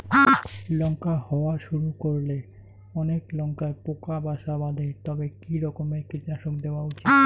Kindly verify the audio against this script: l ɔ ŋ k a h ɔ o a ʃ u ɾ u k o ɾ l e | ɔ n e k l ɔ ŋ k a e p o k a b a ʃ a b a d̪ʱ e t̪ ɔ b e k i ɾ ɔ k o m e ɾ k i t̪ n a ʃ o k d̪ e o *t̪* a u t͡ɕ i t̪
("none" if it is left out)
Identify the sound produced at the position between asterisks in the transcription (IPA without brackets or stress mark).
none